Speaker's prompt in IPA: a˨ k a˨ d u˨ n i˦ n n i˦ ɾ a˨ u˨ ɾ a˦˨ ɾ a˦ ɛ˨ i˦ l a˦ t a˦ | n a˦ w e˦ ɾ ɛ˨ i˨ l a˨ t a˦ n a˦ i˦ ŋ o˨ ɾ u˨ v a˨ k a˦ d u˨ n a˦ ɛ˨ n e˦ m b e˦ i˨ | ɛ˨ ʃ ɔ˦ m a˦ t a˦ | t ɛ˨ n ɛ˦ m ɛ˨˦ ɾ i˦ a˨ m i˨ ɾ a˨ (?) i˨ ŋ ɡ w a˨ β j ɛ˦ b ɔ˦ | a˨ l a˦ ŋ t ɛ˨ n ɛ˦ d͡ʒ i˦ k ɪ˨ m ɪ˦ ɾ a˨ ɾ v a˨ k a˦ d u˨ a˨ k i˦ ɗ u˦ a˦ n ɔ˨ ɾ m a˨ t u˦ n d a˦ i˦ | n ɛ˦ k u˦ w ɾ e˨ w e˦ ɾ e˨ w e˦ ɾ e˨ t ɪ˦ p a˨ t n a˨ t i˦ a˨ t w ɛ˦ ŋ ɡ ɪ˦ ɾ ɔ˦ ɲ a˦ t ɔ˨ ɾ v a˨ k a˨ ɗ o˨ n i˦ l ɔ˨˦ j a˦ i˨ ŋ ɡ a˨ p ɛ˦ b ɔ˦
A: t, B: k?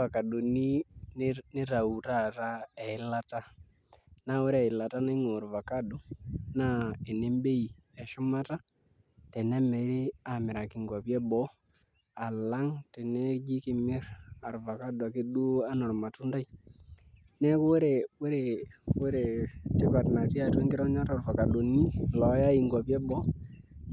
B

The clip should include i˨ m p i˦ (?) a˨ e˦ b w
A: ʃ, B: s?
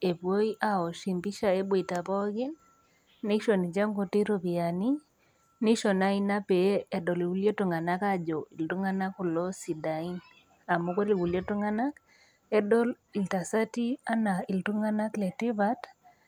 A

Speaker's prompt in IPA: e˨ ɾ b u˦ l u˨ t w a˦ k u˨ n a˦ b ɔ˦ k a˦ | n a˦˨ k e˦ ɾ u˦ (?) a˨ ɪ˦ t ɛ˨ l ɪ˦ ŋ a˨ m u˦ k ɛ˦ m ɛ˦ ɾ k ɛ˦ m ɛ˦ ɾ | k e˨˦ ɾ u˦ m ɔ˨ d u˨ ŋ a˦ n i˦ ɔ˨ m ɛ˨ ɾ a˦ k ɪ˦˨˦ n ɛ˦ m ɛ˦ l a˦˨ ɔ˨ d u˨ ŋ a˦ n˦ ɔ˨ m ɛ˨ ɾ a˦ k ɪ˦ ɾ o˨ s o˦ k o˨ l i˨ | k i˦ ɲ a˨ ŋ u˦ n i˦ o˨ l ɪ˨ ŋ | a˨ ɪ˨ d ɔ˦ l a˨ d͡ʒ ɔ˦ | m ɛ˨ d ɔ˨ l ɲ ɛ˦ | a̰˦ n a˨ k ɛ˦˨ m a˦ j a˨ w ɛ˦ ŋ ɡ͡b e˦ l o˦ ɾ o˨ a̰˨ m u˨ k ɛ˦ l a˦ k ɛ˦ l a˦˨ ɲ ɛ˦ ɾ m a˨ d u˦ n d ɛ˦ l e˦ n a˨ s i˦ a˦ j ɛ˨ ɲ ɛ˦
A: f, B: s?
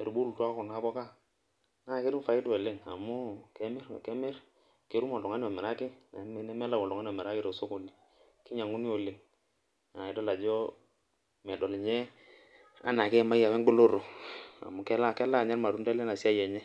A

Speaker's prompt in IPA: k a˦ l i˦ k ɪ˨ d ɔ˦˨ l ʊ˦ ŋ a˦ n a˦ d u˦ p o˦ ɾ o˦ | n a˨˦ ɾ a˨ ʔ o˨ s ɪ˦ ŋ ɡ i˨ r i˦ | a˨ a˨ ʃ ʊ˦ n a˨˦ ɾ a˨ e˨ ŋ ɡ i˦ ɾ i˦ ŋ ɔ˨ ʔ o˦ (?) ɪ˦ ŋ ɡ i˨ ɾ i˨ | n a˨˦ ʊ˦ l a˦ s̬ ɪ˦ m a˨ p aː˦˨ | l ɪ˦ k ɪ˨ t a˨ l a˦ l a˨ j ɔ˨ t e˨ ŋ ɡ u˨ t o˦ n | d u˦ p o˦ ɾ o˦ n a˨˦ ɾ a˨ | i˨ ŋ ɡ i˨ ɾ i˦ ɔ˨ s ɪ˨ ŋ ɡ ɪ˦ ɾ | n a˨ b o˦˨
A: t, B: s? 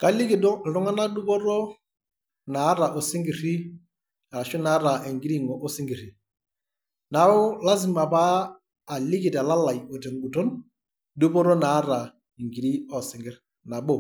B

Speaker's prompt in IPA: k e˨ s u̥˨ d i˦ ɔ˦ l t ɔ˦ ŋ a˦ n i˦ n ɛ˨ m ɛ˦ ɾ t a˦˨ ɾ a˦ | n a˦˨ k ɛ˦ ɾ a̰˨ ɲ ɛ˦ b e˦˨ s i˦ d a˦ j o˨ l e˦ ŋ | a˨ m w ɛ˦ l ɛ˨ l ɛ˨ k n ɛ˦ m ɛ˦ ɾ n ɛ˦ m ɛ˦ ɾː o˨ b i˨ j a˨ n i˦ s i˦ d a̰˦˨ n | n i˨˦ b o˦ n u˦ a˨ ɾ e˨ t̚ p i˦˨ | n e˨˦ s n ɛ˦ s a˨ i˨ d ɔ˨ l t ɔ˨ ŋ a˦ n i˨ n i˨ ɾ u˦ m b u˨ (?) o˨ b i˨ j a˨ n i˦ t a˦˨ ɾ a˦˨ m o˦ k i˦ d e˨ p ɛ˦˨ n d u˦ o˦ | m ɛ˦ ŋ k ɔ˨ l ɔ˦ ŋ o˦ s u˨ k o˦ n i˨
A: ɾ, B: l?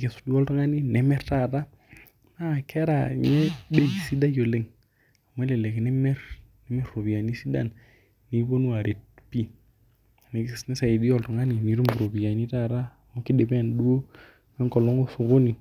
A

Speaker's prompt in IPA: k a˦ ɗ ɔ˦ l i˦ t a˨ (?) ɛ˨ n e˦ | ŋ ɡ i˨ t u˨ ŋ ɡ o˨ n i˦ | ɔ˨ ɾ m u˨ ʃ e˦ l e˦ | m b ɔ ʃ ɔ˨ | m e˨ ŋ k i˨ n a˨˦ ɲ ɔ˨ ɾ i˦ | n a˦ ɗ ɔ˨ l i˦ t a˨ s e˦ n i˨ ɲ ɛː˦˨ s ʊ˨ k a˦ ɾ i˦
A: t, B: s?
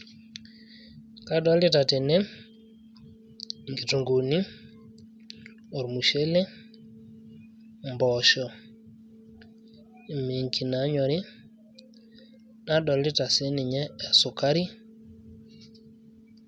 A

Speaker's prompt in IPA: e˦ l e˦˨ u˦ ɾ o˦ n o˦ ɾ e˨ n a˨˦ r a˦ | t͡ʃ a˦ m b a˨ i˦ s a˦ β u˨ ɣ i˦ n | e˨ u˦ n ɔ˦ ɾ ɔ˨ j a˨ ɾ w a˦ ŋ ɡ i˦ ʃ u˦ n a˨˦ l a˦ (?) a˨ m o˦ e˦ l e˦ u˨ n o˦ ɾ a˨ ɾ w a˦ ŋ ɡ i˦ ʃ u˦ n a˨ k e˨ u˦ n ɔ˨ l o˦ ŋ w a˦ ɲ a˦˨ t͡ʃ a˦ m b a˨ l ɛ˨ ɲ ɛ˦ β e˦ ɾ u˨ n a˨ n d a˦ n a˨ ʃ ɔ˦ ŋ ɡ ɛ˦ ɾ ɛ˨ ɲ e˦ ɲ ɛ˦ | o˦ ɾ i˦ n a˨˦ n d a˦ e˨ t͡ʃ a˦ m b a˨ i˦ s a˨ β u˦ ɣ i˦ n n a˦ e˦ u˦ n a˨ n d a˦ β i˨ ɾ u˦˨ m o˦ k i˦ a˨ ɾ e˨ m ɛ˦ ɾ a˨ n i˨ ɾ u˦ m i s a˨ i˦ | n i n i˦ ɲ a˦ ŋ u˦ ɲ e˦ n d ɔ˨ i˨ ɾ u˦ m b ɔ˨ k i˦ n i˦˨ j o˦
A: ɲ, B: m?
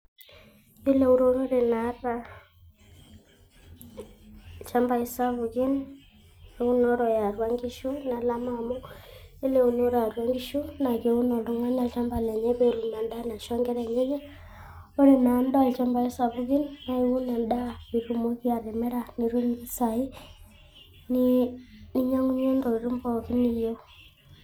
B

